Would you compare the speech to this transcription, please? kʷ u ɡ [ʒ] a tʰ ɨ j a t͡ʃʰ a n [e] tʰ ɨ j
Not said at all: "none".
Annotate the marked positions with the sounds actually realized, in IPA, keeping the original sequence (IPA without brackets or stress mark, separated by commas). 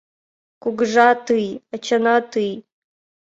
ʐ, a